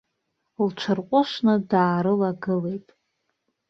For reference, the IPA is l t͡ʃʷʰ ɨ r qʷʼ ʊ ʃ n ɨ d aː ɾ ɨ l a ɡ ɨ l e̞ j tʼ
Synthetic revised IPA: l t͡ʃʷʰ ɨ r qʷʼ ʊ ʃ n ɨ d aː ɾ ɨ l a ɡ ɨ l e̞ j tʼ

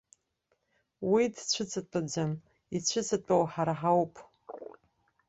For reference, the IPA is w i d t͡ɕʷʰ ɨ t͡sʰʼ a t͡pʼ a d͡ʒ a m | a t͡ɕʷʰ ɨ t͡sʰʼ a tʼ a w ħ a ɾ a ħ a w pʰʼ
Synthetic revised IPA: w i d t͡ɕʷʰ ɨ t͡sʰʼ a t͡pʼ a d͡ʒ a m | i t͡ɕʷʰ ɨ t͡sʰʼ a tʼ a w ħ a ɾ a ħ a w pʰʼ

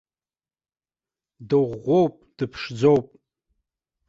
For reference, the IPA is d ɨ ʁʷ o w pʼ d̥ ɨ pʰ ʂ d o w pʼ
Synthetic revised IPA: d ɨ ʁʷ o w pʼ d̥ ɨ pʰ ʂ d͡z o w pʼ

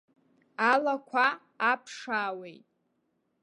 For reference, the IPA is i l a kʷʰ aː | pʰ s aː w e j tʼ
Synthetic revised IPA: a l a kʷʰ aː | pʰ ʂ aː w e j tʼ

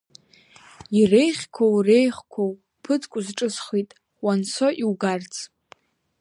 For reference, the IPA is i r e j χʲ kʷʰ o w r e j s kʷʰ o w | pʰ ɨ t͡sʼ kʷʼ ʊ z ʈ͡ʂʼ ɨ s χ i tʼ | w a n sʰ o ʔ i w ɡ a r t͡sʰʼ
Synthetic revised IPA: i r e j χʲ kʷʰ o w r e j χ kʷʰ o w | pʰ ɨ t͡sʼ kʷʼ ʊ z ʈ͡ʂʼ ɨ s χ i tʼ | w a n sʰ o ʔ i w ɡ a r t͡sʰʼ

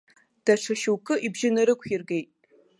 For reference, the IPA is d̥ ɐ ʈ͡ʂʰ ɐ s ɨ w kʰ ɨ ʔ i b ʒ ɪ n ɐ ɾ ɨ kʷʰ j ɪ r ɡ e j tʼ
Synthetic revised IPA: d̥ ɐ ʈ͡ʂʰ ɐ ʃ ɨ w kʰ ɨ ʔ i b ʒ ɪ n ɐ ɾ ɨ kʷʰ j ɪ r ɡ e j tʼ

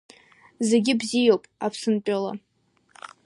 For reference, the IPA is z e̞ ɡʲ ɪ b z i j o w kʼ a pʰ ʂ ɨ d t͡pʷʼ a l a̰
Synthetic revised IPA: z e̞ ɡʲ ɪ b z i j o w pʼ a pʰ s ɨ n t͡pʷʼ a l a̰

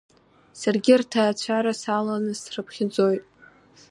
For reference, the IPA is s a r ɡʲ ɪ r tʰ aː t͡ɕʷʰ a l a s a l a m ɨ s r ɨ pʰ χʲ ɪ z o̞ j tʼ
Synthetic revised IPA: s a r ɡʲ ɪ r tʰ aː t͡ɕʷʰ a ɾ a s a l a n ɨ s r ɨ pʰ χʲ ɪ d͡z o̞ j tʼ

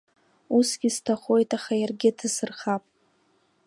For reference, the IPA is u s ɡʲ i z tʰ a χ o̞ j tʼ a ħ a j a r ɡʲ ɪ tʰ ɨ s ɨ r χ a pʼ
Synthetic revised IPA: u s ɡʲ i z tʰ a χ o̞ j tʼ a χ a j a r ɡʲ ɪ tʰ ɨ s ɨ r χ a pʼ

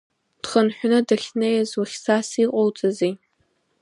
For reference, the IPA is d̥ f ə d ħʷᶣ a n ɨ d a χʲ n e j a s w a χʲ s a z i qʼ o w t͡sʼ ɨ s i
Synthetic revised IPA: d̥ χ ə n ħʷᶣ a n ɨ d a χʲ n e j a z w a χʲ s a s i qʼ o w t͡sʼ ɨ z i

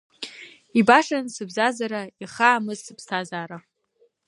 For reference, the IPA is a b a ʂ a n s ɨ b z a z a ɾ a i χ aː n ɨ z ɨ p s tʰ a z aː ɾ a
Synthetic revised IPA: i b a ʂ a n s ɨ b z a z a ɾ a i χ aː m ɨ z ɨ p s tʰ a z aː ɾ a

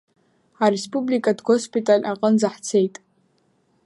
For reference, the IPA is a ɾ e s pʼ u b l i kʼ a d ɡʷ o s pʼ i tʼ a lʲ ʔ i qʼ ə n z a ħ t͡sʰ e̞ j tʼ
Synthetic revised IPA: a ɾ e s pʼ u b l i kʼ a d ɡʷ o s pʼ i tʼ a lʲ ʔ a qʼ ə n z a ħ t͡sʰ e̞ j tʼ

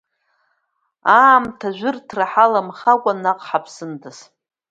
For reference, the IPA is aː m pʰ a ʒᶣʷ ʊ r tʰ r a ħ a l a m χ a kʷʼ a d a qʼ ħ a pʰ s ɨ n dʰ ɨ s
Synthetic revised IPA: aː m tʰ a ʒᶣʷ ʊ r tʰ r a ħ a l a m χ a kʷʼ a n a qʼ ħ a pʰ s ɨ n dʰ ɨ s

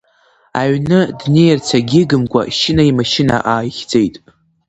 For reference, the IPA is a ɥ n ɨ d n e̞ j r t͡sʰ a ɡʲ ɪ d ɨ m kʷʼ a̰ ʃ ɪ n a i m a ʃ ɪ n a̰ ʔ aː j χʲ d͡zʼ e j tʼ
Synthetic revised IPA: a ɥ n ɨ d n e̞ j r t͡sʰ a ɡʲ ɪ ɡ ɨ m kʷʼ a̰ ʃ ɪ n a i m a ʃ ɪ n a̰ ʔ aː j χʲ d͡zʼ e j tʼ

